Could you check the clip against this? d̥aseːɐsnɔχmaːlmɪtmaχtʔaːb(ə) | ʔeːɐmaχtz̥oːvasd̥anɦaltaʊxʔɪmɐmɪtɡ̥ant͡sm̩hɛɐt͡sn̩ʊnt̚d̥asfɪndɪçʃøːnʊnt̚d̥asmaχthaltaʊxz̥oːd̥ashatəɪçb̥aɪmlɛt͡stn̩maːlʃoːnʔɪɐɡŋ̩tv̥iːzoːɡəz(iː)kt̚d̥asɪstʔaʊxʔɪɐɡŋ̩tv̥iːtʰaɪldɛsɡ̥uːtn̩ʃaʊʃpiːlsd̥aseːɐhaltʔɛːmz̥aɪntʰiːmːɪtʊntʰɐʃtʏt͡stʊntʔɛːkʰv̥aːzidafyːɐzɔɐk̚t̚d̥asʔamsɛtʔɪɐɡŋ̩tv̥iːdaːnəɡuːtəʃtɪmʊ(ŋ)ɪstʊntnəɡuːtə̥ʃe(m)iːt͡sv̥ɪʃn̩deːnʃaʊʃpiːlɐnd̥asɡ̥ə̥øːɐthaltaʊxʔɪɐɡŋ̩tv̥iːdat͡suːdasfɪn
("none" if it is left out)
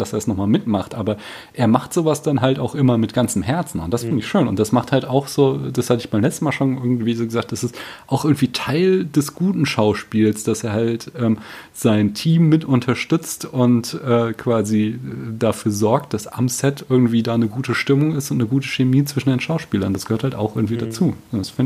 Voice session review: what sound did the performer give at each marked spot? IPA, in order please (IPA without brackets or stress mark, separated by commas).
ɐ, aː, ŋ, m